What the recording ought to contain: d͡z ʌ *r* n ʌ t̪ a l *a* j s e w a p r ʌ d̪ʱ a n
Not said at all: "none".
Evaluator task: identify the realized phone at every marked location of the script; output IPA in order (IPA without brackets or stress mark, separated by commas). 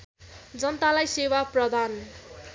none, a